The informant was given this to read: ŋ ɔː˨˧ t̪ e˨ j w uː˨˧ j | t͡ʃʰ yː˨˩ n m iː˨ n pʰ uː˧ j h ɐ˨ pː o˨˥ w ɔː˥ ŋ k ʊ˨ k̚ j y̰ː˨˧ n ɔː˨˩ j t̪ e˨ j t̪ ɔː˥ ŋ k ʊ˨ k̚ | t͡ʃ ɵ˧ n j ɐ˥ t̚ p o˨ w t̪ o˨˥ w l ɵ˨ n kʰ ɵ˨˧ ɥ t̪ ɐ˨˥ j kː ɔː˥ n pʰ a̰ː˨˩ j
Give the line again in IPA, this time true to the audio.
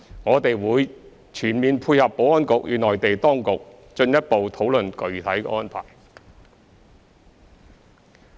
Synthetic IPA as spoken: ŋ ɔː˨˧ t̪ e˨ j w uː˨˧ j | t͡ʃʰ yː˨˩ n m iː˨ n pʰ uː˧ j h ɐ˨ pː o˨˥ w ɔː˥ n k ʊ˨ k̚ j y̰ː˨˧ n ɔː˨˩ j t̪ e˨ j t̪ ɔː˥ ŋ k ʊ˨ k̚ | t͡ʃ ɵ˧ n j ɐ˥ t̚ p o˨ w t̪ʰ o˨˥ w l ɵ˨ n k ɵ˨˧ ɥ t̪ʰ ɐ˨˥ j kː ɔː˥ n pʰ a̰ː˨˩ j